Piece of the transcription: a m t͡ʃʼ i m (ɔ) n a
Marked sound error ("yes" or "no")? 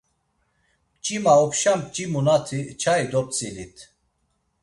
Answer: yes